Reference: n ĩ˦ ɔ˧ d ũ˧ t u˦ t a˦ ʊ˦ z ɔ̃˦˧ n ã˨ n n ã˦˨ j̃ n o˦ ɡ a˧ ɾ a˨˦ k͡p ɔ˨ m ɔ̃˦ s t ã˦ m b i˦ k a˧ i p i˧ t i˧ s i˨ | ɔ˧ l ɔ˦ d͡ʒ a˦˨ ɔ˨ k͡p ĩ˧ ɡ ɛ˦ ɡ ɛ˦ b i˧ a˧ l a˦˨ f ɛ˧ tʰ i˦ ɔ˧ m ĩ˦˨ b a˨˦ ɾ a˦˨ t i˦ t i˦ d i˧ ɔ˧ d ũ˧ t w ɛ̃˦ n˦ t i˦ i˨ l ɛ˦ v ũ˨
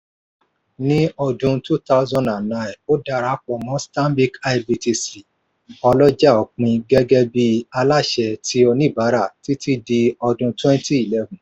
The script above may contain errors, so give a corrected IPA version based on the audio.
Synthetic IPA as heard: n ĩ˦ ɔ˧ d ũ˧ t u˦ t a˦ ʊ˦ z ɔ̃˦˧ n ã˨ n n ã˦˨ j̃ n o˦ d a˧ ɾ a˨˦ k͡p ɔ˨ m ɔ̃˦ s t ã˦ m b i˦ k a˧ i b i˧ t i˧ s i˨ | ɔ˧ l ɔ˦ d͡ʒ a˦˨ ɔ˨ k͡p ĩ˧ ɡ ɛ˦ ɡ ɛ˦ b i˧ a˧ l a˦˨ ʃ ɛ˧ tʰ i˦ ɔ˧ n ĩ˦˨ b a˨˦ ɾ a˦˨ t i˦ t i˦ d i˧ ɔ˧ d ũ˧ t w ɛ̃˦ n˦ t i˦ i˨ l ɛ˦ v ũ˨

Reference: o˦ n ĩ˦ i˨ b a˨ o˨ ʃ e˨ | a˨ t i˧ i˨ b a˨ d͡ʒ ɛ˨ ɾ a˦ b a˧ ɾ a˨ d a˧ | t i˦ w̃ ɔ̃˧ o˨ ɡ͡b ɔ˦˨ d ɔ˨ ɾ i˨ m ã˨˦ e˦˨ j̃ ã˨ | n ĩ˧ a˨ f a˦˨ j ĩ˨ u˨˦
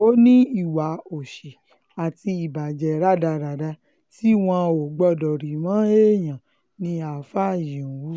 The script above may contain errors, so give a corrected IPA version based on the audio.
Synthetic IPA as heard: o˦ n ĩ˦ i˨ w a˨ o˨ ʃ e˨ | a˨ t i˧ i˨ b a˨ d͡ʒ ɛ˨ ɾ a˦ d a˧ ɾ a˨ d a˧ | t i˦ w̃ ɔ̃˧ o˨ ɡ͡b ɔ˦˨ d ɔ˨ ɾ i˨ m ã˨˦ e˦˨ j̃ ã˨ | n ĩ˧ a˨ f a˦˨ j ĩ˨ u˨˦

